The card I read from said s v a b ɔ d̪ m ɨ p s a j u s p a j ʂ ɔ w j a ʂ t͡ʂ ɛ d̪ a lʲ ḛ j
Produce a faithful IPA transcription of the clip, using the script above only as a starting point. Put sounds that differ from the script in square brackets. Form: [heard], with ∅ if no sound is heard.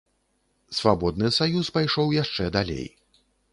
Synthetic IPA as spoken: s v a b ɔ d̪ [n] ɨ [∅] s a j u s p a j ʂ ɔ w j a ʂ t͡ʂ ɛ d̪ a lʲ ḛ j